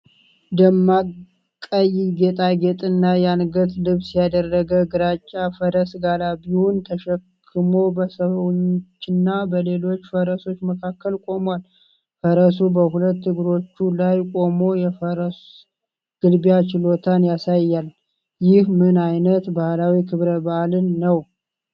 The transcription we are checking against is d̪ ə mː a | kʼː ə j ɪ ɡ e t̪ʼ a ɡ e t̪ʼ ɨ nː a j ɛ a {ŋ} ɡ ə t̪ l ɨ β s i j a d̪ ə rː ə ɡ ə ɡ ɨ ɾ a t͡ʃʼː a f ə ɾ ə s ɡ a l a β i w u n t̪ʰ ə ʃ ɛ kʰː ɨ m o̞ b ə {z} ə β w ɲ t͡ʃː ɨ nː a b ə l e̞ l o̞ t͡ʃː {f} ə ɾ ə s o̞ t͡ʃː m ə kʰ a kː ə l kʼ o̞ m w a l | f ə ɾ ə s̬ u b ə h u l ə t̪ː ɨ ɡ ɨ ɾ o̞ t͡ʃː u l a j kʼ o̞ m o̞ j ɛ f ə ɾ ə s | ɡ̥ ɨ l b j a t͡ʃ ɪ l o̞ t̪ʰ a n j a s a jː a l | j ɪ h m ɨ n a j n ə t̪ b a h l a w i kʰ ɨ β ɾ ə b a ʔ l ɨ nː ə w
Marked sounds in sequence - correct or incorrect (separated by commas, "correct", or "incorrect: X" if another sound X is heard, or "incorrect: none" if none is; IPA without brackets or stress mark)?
incorrect: n, incorrect: s, correct